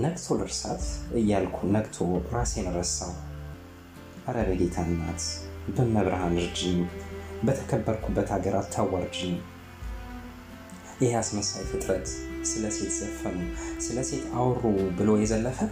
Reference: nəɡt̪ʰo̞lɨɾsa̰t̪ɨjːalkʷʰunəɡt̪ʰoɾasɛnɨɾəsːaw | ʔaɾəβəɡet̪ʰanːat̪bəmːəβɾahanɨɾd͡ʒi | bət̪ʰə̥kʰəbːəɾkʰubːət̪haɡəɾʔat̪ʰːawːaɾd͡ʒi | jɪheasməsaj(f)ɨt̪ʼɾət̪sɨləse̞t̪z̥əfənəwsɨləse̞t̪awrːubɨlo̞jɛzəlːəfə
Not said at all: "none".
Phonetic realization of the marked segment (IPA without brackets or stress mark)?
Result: f